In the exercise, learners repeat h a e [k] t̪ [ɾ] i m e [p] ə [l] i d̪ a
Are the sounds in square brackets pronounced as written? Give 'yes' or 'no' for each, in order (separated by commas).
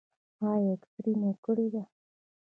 yes, yes, no, no